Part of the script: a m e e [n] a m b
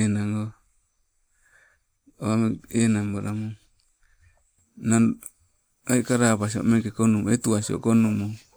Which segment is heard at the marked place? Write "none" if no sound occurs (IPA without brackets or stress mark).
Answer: n